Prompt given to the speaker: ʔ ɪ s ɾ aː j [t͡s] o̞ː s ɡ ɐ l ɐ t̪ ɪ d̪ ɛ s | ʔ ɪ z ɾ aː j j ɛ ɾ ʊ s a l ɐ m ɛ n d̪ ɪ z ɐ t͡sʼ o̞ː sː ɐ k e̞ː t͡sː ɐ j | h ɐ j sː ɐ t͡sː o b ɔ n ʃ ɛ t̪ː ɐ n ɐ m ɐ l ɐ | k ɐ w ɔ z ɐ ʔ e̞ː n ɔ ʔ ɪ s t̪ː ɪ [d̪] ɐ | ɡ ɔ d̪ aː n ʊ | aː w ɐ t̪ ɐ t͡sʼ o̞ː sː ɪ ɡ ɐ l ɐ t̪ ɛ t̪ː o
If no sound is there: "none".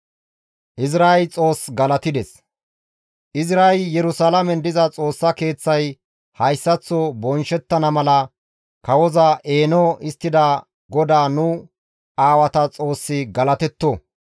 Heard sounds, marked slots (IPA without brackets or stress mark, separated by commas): t͡sʼ, d̪